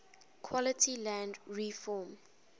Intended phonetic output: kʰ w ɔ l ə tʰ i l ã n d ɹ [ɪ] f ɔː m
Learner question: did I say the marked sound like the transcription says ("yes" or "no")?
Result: no